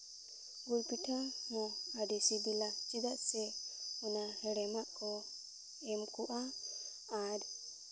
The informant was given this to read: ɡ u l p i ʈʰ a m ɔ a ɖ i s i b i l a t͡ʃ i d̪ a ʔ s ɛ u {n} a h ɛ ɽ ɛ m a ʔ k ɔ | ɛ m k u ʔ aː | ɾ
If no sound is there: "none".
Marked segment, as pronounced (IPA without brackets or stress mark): n